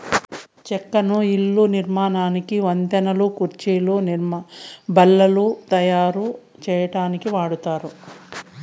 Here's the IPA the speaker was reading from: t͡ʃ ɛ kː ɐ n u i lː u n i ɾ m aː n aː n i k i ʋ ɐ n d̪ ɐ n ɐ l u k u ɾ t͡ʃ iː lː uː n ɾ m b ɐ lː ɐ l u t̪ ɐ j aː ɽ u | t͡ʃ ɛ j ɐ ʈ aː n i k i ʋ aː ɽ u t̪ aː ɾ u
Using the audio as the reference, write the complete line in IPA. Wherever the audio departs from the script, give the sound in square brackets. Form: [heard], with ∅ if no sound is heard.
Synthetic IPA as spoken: t͡ʃ ɛ kː ɐ n u i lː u n i ɾ m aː n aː n i k i ʋ ɐ n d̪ ɐ n ɐ l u k u ɾ t͡ʃ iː [l] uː n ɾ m b ɐ lː ɐ l u t̪ ɐ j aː [ɾ] u | t͡ʃ [ɛː] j ɐ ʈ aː n i k i ʋ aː ɽ u t̪ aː ɾ u